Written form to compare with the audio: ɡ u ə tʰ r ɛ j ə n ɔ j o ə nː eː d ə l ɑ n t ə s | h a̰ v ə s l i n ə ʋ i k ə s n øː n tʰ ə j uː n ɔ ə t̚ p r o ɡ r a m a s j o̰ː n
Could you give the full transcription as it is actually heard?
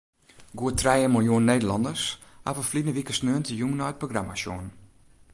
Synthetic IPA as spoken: ɡ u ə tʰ r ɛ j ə m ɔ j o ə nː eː d ə l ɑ n d ə s | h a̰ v ə f l i n ə ʋ i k ə s n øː n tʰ ə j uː n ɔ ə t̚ p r o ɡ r a m a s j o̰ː n